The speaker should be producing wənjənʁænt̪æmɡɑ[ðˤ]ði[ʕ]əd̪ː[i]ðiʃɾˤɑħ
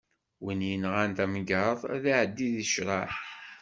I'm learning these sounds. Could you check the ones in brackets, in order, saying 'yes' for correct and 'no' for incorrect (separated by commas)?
yes, yes, yes